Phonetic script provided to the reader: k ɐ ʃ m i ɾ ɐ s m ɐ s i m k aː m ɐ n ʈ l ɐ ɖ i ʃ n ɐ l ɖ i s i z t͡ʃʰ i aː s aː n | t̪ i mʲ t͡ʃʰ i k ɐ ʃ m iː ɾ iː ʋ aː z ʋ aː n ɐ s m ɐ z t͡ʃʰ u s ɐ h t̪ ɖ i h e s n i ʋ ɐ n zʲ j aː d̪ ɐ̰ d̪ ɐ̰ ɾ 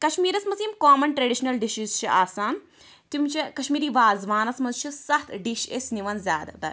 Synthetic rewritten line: k ɐ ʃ m iː ɾ ɐ s m ɐ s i m k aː m ɐ n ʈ ɾ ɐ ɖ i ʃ n ɐ l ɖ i ʃ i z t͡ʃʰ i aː s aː n | t̪ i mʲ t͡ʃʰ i k ɐ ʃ m iː ɾ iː ʋ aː z ʋ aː n ɐ s m ɐ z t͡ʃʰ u s ɐ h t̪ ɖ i ʃ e s n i ʋ ɐ n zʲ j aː d̪ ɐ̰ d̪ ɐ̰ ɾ